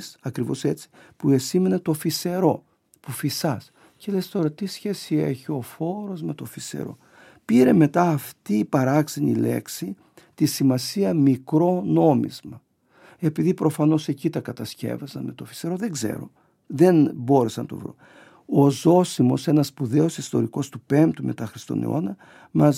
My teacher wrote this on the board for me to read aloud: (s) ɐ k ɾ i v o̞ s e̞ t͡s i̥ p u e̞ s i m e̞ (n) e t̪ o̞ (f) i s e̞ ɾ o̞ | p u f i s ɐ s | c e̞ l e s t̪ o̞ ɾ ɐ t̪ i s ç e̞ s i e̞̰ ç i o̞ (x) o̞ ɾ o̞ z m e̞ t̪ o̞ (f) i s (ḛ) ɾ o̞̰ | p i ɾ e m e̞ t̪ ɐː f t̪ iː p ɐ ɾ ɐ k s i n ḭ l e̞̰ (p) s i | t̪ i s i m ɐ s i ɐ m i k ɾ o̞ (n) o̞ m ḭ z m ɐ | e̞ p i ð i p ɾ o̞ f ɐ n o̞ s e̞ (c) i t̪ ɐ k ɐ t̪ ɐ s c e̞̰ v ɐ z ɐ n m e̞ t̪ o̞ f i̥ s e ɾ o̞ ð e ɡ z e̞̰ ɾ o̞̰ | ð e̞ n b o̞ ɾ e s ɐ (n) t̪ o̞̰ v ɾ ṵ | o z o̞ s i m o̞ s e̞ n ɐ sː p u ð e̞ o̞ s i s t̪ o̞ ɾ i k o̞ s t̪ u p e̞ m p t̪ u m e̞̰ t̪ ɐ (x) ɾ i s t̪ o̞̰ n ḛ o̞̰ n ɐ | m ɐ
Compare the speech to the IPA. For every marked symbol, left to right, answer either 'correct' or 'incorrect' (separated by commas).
correct, correct, correct, incorrect, correct, correct, incorrect, correct, correct, correct, correct